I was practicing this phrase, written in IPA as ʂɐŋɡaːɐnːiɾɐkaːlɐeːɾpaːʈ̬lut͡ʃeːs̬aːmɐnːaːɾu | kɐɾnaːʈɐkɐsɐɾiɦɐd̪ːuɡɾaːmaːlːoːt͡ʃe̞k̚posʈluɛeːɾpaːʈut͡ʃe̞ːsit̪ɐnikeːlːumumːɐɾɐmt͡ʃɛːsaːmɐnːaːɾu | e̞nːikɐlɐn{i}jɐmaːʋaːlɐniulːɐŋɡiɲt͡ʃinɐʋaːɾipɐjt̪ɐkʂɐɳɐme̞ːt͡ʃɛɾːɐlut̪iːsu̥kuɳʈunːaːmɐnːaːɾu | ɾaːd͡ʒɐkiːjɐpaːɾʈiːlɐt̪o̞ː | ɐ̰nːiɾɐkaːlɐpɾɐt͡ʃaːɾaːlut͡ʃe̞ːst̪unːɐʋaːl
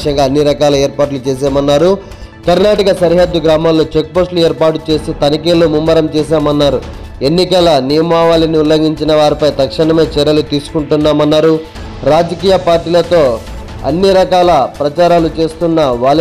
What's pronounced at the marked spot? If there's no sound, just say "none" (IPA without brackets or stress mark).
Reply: i